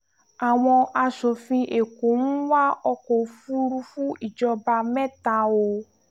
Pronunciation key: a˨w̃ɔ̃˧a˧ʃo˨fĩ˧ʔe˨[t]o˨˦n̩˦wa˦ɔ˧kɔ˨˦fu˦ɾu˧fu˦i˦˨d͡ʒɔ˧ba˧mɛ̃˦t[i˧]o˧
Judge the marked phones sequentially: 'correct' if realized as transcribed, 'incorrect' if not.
incorrect, incorrect

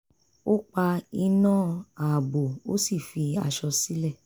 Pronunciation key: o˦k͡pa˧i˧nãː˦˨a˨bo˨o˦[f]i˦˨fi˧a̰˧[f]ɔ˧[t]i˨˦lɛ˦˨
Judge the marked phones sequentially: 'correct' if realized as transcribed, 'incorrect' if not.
incorrect, incorrect, incorrect

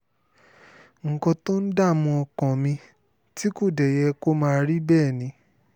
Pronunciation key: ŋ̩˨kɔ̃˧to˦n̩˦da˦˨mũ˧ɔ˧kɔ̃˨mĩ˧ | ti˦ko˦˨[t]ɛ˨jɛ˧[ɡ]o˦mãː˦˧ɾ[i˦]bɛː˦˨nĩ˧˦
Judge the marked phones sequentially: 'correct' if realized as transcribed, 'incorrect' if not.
incorrect, incorrect, correct

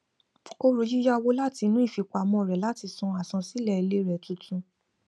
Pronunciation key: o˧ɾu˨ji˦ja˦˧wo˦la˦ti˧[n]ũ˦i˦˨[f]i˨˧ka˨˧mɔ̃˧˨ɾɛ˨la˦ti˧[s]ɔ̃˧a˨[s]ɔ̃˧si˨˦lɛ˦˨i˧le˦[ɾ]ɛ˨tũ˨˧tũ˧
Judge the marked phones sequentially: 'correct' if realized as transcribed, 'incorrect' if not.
correct, correct, correct, correct, correct

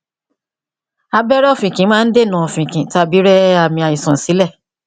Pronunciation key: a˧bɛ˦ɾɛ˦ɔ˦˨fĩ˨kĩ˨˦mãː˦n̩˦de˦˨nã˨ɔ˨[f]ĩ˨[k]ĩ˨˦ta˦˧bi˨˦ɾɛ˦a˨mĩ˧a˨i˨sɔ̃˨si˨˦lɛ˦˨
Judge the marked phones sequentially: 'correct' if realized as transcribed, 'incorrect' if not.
correct, correct

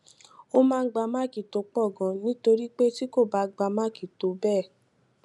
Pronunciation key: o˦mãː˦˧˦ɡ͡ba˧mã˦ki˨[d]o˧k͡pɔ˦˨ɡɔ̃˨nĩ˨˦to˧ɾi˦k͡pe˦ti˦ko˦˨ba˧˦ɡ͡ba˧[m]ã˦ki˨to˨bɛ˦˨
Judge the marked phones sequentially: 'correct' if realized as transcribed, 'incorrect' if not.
incorrect, correct

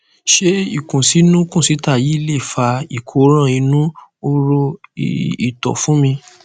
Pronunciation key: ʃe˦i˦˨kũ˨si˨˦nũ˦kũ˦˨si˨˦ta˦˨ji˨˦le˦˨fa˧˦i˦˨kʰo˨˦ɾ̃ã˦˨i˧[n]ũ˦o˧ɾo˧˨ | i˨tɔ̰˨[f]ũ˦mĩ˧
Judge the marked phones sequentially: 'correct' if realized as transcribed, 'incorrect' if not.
correct, correct

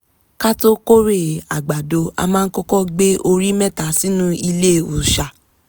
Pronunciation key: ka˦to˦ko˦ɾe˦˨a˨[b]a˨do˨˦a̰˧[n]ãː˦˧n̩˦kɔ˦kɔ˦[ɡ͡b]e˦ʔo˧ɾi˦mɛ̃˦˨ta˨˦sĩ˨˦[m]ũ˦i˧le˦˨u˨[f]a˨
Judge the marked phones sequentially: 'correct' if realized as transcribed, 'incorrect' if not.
incorrect, incorrect, correct, incorrect, incorrect

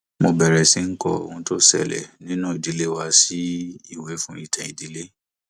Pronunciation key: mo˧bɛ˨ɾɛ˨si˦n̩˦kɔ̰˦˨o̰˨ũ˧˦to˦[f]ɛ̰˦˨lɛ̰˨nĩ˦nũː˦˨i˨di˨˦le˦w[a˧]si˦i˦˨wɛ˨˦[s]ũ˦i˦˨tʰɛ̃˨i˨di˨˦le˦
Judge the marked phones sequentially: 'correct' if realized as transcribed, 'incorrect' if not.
incorrect, correct, incorrect

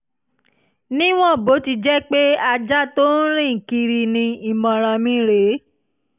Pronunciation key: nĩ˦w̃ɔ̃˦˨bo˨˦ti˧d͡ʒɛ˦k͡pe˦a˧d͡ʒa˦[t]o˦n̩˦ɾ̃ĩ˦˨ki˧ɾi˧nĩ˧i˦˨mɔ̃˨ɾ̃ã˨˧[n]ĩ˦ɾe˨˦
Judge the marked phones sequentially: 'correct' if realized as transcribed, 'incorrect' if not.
correct, incorrect

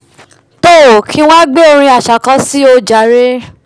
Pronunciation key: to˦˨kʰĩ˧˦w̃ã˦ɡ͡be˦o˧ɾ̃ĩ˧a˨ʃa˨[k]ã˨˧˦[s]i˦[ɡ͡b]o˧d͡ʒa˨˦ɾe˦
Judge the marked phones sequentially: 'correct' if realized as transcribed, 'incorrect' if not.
correct, correct, incorrect

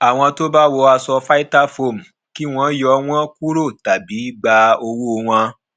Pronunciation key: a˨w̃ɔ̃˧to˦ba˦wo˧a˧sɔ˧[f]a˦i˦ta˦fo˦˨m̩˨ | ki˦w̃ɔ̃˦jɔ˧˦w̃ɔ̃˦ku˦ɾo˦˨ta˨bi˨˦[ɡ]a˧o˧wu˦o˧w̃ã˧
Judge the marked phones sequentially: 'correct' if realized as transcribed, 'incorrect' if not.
correct, incorrect

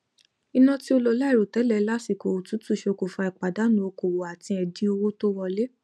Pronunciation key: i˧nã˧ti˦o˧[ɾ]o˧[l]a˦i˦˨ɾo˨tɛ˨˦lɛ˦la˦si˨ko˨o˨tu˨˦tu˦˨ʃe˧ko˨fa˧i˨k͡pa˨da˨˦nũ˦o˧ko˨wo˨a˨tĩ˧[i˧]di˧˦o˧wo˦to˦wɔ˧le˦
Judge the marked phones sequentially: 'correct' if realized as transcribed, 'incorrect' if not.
incorrect, correct, incorrect

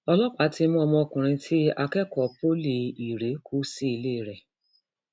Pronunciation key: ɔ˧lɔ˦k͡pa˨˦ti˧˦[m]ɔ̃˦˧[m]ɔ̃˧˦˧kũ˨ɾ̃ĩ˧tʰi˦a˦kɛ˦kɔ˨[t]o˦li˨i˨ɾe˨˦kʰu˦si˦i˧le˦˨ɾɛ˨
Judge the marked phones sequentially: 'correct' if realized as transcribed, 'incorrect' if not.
correct, correct, incorrect

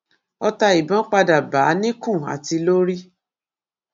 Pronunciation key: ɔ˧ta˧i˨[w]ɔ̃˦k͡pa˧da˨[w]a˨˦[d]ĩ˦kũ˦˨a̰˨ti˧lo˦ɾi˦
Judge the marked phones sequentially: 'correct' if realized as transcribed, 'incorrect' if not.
incorrect, incorrect, incorrect

